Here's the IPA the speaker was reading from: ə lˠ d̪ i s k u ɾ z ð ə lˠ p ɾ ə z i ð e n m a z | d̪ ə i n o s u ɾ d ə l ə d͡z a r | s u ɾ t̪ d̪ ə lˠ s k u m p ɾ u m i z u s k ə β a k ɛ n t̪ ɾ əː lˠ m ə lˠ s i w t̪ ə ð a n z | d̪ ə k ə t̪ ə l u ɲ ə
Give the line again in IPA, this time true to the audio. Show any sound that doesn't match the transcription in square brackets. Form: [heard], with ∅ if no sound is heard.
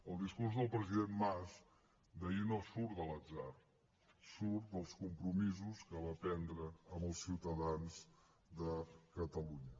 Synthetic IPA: ə lˠ d̪ i s k u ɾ z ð ə lˠ p ɾ ə z i ð e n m a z | d̪ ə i n o s u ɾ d ə l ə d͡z a r | s u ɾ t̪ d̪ ə lˠ s k u m p ɾ u m i z u s k ə β a [p] ɛ n [d̪] ɾ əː [∅] m ə lˠ s i w t̪ ə ð a n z | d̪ ə k ə t̪ ə l u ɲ ə